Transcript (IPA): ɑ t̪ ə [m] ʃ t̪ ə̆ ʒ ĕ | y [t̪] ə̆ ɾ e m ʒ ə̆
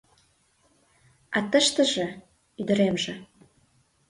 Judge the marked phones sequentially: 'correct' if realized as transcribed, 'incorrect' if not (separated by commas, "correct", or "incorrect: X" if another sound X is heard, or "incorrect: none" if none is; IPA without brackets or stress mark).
incorrect: none, incorrect: d̪